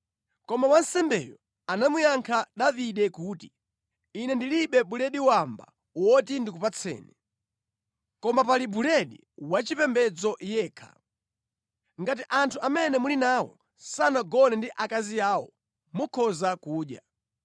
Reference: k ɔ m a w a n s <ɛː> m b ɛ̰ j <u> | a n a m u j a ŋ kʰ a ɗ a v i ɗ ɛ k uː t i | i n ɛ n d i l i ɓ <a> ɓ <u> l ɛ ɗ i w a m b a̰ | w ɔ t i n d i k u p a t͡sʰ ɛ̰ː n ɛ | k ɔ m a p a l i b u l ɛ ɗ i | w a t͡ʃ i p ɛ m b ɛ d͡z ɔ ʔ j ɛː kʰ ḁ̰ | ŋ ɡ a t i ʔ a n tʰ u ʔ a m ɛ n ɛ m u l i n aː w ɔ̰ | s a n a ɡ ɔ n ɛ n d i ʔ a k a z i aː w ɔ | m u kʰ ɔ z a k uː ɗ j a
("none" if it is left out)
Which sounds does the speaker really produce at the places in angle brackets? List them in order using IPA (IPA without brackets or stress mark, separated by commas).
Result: ɛ, ɔ, ɛ, u